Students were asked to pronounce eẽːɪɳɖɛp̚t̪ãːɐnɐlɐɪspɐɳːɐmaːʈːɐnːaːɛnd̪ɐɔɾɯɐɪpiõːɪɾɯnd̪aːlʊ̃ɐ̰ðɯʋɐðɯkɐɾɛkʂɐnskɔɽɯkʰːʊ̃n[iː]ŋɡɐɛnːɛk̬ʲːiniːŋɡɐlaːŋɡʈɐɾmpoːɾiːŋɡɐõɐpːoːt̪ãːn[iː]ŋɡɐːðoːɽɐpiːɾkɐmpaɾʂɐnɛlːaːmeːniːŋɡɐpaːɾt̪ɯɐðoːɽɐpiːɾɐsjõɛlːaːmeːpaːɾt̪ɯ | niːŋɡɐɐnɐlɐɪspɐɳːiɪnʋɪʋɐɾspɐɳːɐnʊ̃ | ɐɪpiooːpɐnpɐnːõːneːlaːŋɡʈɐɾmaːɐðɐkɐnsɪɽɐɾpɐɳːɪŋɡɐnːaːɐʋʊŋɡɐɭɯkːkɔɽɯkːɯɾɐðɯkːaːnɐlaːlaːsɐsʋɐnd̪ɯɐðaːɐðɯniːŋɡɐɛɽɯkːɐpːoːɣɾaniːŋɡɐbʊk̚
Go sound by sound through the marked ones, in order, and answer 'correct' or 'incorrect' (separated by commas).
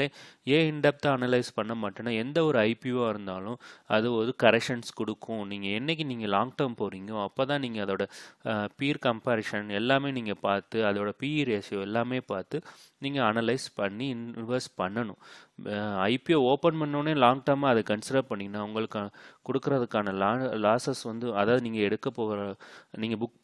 correct, correct